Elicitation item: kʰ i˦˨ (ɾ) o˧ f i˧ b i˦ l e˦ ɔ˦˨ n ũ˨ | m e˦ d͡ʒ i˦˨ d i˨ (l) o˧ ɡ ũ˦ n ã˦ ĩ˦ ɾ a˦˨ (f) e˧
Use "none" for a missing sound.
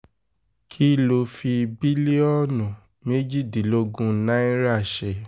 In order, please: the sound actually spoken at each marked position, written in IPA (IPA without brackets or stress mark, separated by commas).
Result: l, l, ʃ